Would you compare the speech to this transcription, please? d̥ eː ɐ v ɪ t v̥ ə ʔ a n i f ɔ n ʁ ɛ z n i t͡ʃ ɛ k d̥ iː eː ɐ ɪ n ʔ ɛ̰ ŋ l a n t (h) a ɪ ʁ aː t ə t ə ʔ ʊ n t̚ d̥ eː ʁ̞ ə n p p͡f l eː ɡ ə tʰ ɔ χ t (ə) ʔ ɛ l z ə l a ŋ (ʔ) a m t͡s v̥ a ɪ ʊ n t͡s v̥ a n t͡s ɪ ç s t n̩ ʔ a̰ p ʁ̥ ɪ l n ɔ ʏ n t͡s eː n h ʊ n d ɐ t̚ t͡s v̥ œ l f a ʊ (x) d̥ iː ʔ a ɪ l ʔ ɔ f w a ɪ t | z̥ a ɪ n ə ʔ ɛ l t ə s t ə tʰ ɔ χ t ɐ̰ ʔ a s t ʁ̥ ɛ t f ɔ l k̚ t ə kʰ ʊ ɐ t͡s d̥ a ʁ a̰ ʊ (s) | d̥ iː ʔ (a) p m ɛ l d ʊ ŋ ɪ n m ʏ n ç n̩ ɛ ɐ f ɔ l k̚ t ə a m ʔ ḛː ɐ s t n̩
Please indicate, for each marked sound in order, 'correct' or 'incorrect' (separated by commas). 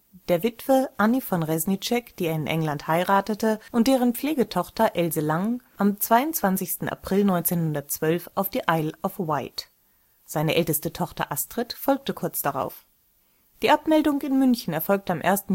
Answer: correct, incorrect, correct, incorrect, incorrect, correct